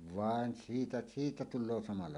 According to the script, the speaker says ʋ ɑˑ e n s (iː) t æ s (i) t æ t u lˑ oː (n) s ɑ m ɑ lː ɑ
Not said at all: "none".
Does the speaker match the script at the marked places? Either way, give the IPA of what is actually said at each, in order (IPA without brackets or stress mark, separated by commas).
iː, iː, none